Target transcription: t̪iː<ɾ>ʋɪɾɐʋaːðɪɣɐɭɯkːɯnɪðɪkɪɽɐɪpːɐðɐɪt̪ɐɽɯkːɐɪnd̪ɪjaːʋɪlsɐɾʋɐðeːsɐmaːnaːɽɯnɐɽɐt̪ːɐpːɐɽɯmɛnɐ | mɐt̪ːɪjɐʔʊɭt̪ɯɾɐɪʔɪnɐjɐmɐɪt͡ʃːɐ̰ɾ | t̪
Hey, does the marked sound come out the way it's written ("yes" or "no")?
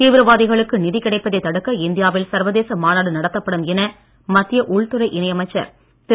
no